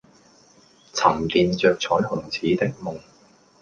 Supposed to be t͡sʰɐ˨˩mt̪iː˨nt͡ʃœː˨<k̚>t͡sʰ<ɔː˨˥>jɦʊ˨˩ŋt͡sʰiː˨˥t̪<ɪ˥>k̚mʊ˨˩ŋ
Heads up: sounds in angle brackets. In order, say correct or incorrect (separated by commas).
correct, correct, correct